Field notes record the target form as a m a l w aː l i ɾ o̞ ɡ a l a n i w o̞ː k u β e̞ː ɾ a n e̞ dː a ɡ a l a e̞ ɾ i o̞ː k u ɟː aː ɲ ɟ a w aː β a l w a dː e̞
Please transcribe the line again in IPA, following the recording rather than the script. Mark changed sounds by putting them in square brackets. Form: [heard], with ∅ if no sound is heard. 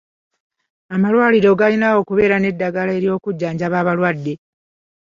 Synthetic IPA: a m a l w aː l i ɾ o̞ ɡ a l [i] n [a] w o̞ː k u β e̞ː ɾ a n e̞ dː a ɡ a l a e̞ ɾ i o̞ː k u ɟː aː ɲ ɟ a [β] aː β a l w a dː e̞